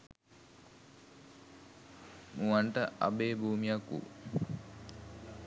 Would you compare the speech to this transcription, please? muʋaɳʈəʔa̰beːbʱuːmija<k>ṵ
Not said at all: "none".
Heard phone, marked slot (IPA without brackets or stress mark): k